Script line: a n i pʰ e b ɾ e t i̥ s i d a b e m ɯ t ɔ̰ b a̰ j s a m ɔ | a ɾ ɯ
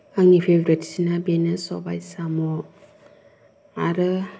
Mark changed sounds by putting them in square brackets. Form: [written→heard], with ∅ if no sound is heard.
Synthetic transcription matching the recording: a [n→ŋ] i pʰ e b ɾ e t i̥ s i [d→n] a b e [m→n] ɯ [t→s] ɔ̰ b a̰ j s a m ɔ | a ɾ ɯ